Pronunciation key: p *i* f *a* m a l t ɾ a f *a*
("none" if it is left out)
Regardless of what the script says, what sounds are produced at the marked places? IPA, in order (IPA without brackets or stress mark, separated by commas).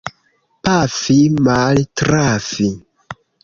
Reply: a, i, i